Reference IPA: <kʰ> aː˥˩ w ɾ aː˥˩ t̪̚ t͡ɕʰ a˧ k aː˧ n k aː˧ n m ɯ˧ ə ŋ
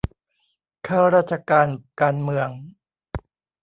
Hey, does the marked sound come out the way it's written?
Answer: yes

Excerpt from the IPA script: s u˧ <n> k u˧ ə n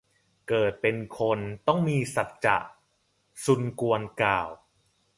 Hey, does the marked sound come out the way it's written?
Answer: yes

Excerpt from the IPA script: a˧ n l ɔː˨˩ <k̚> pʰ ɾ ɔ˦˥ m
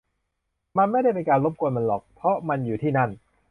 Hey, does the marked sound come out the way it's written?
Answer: yes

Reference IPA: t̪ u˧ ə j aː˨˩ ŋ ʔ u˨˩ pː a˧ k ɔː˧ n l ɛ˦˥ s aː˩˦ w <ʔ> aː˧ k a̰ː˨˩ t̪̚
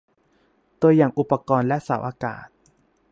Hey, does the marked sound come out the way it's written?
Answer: yes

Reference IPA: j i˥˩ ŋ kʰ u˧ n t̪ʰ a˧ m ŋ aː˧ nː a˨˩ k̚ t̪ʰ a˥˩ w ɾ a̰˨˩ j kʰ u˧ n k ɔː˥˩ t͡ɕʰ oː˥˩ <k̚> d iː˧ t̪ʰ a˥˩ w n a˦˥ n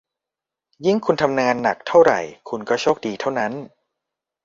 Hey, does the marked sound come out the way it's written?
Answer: yes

